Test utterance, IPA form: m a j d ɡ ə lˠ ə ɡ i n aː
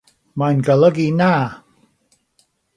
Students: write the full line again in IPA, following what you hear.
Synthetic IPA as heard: m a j n ɡ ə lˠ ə ɡ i n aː

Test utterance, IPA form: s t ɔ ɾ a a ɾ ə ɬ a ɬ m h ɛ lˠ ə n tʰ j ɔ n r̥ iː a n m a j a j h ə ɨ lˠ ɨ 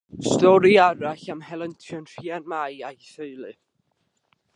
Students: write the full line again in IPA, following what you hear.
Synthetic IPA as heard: s t ɔ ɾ i a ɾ a ɬ a m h ɛ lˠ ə n tʰ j ɔ n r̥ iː a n m a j a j θ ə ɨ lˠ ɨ

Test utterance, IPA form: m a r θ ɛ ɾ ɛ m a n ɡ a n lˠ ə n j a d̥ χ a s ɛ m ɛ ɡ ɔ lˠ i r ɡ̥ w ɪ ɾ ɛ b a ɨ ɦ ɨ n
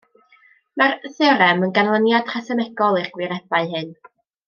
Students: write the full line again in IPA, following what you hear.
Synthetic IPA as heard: m a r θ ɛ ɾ ɛ m ə n ɡ a n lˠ ə n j a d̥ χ a s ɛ m ɛ ɡ ɔ lˠ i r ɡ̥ w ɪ ɾ ɛ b a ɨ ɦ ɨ n

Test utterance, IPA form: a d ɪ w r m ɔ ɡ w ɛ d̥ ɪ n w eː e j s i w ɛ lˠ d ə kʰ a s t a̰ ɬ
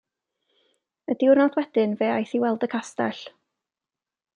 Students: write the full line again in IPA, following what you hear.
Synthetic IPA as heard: ə d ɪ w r n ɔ d w ɛ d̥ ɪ n v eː a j θ i w ɛ lˠ d ə kʰ a s t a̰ ɬ

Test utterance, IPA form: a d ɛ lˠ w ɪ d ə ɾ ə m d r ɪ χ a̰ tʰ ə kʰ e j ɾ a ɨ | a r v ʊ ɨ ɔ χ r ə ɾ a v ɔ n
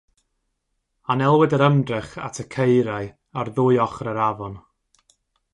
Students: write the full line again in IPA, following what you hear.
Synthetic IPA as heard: a n ɛ lˠ w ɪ d ə ɾ ə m d r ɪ χ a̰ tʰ ə kʰ e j ɾ a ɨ | a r ð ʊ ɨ ɔ χ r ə ɾ a v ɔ n

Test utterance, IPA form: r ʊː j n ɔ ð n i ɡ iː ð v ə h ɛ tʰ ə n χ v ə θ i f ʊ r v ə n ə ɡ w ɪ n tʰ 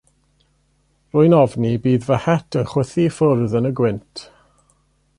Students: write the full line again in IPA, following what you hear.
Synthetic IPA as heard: r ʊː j n ɔ v n i b iː ð v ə h ɛ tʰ ə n χ w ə θ i f ʊ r ð ə n ə ɡ w ɪ n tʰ

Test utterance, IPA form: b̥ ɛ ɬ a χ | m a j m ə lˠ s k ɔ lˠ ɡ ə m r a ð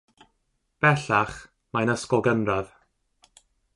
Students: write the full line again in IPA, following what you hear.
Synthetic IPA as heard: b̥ ɛ ɬ a χ | m a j n ə s k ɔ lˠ ɡ ə n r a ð

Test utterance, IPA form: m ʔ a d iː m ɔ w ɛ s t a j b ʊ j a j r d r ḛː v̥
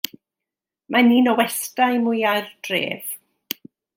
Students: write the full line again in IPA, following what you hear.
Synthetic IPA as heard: m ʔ a n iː n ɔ w ɛ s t a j m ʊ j a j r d r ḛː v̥

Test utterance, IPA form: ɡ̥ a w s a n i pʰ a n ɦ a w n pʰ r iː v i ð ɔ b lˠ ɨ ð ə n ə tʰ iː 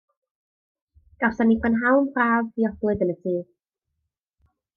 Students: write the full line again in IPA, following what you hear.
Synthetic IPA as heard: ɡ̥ a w s a n i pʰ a n ɦ a w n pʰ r aː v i ɔ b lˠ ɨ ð ə n ə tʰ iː

